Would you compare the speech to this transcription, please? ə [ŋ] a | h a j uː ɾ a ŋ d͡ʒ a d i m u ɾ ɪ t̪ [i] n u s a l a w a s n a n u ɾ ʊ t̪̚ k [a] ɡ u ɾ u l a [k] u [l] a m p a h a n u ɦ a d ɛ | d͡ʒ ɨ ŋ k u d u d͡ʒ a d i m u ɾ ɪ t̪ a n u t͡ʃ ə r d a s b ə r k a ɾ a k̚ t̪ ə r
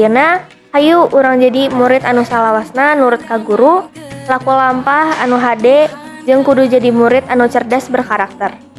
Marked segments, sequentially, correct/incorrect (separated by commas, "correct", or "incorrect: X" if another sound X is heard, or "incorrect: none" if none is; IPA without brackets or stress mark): incorrect: n, incorrect: a, correct, correct, correct